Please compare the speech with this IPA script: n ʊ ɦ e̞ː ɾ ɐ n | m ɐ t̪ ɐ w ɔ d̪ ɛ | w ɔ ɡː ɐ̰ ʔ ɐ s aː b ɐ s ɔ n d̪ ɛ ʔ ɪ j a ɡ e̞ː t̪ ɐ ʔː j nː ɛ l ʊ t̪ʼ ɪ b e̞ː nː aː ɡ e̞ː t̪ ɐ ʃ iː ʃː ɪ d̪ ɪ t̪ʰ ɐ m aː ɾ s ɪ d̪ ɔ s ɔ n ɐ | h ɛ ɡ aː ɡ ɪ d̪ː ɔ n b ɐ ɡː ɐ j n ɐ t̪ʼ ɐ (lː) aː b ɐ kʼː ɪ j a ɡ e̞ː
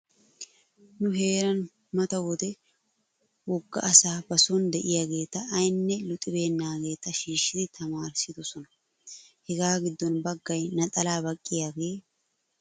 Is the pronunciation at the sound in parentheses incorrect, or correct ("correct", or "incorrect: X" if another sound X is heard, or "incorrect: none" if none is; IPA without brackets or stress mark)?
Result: incorrect: l